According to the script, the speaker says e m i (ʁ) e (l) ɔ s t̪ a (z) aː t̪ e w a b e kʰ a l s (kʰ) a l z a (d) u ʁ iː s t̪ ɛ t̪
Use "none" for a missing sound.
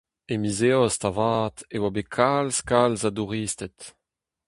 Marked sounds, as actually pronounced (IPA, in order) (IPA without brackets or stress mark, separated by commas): z, none, v, k, d